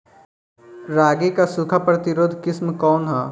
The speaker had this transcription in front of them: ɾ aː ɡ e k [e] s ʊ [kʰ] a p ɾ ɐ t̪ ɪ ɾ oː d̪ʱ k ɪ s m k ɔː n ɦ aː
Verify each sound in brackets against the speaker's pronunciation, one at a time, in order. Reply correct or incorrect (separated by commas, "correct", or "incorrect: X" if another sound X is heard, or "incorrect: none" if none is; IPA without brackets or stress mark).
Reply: incorrect: a, correct